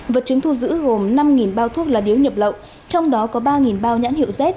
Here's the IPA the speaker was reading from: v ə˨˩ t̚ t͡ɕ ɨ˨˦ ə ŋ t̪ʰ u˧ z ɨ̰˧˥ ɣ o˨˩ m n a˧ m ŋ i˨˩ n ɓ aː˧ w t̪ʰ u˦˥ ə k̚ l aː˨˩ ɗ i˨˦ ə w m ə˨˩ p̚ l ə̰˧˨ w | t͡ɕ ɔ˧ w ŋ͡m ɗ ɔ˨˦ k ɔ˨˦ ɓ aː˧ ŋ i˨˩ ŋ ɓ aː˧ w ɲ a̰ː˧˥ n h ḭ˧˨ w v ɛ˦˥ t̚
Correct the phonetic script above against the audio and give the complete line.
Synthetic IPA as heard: v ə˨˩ t̚ t͡ɕ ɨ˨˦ ə ŋ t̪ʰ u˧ z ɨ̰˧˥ ɣ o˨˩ m n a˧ m ŋ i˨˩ n ɓ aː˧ w t̪ʰ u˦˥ ə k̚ l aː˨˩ ɗ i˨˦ ə w ɲ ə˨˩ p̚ l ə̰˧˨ w | t͡ɕ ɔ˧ w ŋ͡m ɗ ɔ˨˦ k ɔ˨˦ ɓ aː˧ ŋ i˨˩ n ɓ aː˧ w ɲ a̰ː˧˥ n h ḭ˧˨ w z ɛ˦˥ t̚